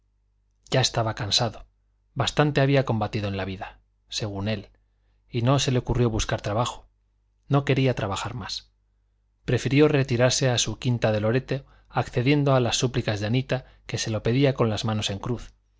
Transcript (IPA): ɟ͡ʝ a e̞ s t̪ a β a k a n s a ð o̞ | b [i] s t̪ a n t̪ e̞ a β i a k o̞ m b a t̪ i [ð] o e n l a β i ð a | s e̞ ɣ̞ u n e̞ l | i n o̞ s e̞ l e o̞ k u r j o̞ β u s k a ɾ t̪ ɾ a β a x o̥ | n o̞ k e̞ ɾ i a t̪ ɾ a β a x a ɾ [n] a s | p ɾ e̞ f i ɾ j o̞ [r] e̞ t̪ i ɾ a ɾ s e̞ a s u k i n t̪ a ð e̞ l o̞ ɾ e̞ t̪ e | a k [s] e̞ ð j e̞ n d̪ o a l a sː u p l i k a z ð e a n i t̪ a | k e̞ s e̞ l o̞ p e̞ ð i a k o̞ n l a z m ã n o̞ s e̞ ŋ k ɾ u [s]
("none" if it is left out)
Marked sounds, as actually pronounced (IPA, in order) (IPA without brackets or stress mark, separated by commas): a, ð, m, r, θ, θ